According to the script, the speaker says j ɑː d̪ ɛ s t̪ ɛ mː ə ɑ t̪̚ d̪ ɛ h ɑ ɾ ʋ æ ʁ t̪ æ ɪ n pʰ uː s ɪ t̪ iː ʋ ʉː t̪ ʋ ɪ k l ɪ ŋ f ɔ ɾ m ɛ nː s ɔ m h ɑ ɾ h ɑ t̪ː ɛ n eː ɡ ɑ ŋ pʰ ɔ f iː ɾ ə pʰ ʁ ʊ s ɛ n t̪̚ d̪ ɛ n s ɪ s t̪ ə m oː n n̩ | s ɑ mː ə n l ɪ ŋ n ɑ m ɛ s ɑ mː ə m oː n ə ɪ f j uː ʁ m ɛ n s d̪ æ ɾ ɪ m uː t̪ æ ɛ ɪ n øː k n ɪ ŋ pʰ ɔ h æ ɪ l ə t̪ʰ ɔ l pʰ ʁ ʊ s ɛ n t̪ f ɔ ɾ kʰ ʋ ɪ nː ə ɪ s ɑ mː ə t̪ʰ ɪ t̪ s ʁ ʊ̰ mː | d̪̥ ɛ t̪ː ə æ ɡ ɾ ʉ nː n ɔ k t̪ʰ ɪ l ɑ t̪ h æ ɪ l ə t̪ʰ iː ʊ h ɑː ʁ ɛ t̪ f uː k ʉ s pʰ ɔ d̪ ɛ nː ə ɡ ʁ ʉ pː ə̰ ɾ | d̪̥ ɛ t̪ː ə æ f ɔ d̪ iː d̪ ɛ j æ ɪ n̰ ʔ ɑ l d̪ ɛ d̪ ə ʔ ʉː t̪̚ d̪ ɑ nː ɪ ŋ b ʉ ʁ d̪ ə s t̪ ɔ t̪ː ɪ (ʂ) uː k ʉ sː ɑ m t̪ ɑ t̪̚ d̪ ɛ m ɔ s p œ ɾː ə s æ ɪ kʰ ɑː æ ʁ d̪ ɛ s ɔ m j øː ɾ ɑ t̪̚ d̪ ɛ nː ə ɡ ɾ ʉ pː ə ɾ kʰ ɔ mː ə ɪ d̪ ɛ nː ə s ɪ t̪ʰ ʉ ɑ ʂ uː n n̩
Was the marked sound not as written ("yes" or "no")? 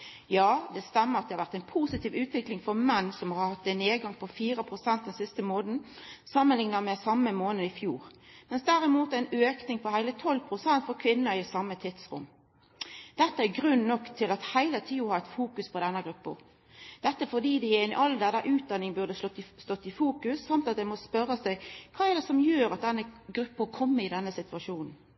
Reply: yes